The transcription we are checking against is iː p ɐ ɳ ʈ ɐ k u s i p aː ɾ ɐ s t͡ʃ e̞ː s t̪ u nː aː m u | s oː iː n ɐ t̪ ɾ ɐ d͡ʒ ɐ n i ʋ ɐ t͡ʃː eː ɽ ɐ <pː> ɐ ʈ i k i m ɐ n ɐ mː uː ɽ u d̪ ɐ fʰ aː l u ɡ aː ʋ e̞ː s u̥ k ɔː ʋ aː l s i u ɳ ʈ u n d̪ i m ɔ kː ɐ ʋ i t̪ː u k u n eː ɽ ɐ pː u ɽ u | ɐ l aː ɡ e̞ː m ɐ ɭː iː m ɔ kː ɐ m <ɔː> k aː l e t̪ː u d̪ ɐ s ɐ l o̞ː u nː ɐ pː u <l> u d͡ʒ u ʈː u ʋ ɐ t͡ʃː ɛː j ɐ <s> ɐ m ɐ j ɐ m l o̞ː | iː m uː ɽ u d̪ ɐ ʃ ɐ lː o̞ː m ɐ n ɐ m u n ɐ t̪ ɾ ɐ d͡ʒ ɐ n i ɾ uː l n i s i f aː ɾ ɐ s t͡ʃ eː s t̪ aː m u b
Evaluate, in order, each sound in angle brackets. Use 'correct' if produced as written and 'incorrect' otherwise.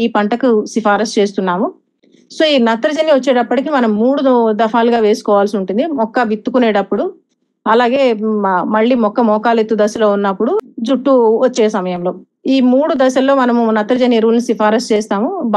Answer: correct, correct, incorrect: ɽ, correct

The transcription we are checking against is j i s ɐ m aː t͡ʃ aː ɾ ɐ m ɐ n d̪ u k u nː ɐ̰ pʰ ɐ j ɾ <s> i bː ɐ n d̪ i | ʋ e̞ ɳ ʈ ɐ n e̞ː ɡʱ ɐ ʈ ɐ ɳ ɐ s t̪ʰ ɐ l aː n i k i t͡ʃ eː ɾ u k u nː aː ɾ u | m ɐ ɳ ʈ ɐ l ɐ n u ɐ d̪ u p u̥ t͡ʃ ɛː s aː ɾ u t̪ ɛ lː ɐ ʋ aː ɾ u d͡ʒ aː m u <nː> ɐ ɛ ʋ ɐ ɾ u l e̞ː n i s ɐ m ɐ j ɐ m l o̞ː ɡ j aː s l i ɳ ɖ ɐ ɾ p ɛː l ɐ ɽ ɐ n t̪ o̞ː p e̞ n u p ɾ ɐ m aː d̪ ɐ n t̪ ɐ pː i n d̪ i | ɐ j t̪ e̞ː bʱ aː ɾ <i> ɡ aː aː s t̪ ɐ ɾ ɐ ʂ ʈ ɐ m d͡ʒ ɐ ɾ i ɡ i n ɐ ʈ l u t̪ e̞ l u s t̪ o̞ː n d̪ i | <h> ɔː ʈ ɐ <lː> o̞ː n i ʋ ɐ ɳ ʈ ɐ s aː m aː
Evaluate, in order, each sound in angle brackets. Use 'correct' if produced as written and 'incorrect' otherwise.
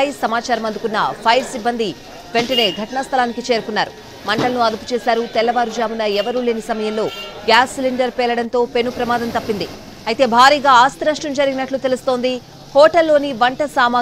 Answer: correct, incorrect: n, incorrect: iː, correct, correct

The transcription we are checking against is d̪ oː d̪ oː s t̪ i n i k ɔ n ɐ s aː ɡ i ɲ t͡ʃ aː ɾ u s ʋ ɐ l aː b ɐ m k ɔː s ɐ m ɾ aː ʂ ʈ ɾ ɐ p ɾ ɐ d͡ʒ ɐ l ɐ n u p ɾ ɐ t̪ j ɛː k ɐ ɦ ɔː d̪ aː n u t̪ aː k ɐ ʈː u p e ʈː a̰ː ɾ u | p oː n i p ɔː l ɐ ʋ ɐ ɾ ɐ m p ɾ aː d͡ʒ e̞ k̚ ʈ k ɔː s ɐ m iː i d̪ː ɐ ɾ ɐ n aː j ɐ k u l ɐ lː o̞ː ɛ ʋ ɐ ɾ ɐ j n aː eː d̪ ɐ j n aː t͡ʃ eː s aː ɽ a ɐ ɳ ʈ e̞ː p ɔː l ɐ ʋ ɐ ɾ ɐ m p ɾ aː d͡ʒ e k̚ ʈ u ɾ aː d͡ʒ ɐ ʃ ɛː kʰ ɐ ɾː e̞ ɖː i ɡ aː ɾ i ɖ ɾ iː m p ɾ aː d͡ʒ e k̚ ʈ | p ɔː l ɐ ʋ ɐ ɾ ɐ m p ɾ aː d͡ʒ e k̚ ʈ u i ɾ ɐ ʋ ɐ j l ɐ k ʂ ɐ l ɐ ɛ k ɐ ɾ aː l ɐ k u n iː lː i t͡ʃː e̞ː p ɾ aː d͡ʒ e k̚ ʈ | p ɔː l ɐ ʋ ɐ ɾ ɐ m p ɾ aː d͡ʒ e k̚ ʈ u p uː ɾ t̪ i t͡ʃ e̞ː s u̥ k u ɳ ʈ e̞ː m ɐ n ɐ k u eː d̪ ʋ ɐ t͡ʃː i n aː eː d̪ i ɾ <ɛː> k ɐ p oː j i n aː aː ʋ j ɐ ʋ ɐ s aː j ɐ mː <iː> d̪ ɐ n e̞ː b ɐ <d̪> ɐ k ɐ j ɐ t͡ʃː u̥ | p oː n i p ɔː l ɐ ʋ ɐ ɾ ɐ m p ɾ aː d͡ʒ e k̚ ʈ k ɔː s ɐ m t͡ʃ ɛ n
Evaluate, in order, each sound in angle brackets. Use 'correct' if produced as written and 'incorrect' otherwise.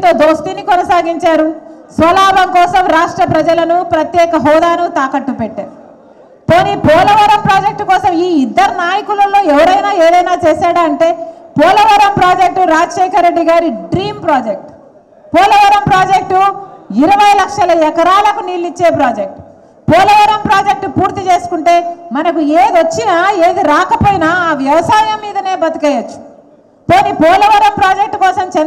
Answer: incorrect: aː, correct, incorrect: t̪

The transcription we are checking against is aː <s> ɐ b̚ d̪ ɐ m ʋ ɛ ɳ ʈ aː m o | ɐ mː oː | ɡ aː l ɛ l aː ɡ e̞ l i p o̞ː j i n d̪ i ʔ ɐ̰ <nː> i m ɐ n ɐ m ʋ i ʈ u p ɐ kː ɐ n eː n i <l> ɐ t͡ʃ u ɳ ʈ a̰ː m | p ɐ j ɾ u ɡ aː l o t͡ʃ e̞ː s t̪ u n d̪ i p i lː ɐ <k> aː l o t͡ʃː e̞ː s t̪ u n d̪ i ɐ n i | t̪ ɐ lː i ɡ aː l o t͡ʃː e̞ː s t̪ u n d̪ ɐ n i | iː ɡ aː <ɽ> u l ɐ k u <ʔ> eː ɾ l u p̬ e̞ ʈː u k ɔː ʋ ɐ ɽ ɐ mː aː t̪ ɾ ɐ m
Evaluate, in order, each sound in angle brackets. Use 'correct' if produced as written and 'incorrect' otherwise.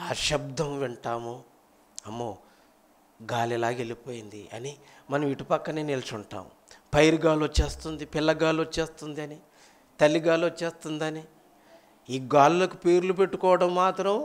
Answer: incorrect: ʃ, incorrect: n, correct, incorrect: ɡ, incorrect: l, incorrect: p

